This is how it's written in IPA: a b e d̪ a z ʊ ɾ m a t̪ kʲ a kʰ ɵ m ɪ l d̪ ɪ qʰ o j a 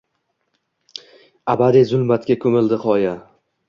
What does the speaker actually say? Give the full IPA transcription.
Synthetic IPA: a b a d̪ i z ʊ l m a t̪ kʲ a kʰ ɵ m ɪ l d̪ ɪ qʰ ɒ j a